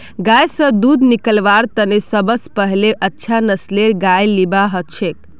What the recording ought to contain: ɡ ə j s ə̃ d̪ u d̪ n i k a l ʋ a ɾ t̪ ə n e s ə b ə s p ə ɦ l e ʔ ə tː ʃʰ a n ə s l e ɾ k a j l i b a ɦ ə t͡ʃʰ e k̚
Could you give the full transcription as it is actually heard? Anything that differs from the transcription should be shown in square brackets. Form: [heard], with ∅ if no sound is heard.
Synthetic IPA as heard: ɡ [a] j s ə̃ d̪ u d̪ n i k [ə] l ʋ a ɾ t̪ ə n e s ə b ə s p ə ɦ l e ʔ ə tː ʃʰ a n ə s l e ɾ [ɡ] a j l i b a ɦ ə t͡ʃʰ e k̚